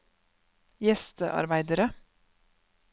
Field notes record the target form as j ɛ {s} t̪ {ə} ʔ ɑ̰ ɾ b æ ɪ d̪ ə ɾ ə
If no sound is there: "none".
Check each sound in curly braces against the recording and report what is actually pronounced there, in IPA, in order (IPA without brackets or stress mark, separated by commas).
s, ə